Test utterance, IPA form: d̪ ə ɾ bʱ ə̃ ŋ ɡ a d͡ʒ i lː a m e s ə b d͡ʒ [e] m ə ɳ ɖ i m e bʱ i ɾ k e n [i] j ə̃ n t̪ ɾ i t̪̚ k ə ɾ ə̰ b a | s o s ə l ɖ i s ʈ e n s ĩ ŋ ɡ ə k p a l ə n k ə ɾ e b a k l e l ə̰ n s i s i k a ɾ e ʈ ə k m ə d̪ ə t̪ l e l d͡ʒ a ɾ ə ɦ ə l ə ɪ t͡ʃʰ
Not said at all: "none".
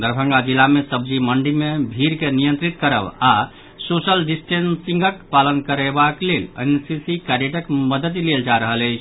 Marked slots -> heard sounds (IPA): i, i

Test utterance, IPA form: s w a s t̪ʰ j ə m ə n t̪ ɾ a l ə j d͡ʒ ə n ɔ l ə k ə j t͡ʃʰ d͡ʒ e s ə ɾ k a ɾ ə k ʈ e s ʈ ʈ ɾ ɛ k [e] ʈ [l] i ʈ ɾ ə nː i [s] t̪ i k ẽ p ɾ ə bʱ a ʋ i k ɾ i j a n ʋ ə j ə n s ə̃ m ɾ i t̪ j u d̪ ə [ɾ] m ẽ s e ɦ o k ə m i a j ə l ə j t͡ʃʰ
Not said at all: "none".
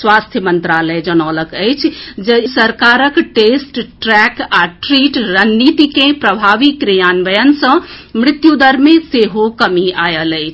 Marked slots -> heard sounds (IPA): a, ɾ, none, ɾ

